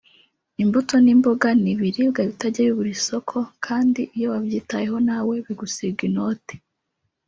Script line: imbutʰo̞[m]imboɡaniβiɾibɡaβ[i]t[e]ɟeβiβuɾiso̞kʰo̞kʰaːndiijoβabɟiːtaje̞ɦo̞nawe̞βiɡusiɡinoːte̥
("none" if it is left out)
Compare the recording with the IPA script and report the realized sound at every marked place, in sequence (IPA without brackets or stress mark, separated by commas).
n, i, a